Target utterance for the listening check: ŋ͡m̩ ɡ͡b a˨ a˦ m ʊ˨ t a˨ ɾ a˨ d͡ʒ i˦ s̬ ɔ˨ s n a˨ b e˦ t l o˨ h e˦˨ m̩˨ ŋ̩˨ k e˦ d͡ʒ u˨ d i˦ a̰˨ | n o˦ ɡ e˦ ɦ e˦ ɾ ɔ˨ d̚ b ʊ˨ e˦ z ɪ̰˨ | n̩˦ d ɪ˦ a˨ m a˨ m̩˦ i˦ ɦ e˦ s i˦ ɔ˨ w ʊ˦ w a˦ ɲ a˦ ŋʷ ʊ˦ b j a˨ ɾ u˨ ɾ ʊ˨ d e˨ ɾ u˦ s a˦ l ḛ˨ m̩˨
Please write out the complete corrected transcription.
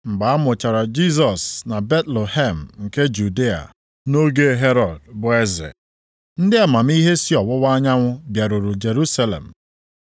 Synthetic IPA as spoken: ŋ͡m̩ ɡ͡b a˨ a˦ m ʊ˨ t͡ʃ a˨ ɾ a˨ d͡ʒ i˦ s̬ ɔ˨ s n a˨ b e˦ t l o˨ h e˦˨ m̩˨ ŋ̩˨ k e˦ d͡ʒ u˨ d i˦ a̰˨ | n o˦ ɡ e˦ ɦ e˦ ɾ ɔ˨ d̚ b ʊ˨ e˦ z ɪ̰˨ | n̩˦ d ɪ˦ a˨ m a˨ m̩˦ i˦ ɦ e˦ s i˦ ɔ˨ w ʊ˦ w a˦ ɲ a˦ ŋʷ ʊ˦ b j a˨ ɾ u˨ ɾ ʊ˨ d͡ʒ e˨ ɾ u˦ s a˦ l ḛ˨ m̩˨

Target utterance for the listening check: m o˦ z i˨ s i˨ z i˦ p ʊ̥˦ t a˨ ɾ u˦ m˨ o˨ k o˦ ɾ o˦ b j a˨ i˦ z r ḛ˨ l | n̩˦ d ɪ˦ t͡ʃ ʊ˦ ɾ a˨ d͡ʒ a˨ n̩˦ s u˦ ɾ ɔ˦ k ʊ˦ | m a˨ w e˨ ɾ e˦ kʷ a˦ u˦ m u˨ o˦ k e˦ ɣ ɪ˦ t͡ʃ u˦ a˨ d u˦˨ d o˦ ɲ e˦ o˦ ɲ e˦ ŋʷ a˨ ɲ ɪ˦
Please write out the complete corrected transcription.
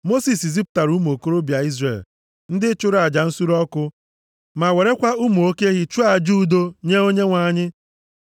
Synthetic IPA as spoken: m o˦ s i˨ s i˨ z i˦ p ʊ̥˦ t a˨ ɾ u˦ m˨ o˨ k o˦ ɾ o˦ b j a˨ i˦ z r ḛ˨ l | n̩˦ d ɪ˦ t͡ʃ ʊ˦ ɾ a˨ d͡ʒ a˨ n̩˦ s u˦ ɾ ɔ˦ k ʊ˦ | m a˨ w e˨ ɾ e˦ kʷ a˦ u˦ m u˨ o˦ k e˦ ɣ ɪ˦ t͡ʃ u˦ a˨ d͡ʒ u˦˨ d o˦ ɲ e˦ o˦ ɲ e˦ ŋʷ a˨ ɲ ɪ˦

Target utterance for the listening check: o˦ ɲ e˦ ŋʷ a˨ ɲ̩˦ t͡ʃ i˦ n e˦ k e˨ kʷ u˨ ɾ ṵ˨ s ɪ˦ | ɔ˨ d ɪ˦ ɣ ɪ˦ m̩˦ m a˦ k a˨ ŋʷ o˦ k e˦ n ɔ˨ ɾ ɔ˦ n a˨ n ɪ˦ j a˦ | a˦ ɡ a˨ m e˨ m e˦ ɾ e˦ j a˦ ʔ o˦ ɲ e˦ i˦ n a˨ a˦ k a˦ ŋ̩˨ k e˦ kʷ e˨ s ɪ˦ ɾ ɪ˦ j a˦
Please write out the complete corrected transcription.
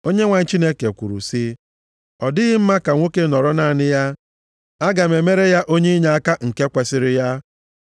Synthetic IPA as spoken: o˦ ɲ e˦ ŋʷ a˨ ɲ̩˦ t͡ʃ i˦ n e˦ k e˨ kʷ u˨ ɾ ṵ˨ s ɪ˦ | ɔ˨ d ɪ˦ ɣ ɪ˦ m̩˦ m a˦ k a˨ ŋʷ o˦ k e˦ n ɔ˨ ɾ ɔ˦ n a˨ n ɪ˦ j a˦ | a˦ ɡ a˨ m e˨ m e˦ ɾ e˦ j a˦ ʔ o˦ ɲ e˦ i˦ ɲ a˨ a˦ k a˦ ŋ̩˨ k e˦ kʷ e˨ s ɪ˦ ɾ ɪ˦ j a˦

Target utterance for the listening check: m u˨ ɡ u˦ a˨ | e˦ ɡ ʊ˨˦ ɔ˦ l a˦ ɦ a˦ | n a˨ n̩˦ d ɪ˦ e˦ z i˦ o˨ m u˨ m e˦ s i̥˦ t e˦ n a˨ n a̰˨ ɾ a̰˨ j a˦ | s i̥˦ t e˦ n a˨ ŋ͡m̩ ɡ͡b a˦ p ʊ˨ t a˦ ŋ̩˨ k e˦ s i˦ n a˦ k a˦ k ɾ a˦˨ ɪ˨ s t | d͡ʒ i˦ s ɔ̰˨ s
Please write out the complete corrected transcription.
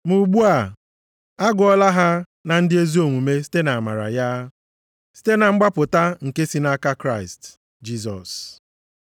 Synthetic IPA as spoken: m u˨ ɡ͡b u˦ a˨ | a˦ ɡ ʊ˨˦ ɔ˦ l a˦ ɦ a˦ | n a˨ n̩˦ d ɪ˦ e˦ z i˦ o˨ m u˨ m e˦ s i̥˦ t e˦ n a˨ m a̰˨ ɾ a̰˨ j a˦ | s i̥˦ t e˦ n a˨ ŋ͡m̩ ɡ͡b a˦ p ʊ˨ t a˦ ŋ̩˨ k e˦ s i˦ n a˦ k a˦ k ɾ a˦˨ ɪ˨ s t | d͡ʒ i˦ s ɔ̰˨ s

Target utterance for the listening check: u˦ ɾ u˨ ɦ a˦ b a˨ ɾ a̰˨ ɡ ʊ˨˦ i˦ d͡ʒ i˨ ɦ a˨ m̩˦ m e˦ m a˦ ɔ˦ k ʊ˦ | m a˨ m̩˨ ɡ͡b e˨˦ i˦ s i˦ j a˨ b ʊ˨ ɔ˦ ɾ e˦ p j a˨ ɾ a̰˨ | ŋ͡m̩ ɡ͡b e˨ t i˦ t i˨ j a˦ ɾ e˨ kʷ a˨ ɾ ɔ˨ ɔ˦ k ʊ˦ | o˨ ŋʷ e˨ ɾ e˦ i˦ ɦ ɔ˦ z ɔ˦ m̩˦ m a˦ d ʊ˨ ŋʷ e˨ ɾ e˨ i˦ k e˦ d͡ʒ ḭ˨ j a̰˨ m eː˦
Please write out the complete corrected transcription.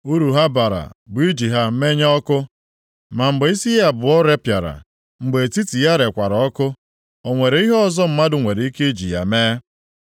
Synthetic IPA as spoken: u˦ ɾ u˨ ɦ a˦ b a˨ ɾ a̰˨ b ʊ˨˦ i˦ d͡ʒ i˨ ɦ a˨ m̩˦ m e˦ ɲ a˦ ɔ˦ k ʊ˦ | m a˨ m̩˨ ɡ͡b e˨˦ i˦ s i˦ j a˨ b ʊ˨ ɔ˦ ɾ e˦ p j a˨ ɾ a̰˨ | ŋ͡m̩ ɡ͡b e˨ t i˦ t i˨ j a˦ ɾ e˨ kʷ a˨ ɾ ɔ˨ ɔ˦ k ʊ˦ | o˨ ŋʷ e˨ ɾ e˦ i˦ ɦ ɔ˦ z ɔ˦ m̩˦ m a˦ d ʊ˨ ŋʷ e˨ ɾ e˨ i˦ k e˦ d͡ʒ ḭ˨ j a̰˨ m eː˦

